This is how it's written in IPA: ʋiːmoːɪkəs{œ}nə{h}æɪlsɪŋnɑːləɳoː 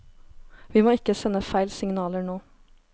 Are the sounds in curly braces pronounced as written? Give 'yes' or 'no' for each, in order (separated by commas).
no, no